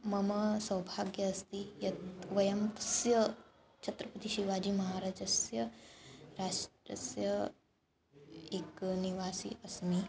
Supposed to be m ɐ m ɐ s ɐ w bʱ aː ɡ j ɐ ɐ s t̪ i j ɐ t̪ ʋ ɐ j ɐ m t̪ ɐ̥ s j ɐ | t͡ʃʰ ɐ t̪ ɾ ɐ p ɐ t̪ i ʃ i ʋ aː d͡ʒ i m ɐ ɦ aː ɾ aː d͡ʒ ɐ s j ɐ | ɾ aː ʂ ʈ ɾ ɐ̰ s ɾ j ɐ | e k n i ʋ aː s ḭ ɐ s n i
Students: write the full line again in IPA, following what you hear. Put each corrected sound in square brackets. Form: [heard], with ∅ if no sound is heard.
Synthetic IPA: m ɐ m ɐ s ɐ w bʱ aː ɡ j ɐ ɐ s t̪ i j ɐ t̪ ʋ ɐ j ɐ m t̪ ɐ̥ s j ɐ | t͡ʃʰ ɐ t̪ ɾ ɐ p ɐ t̪ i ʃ i ʋ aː d͡ʒ i m ɐ ɦ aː ɾ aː d͡ʒ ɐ s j ɐ | ɾ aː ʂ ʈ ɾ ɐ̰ s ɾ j ɐ | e k n i ʋ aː s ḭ ɐ s [m] i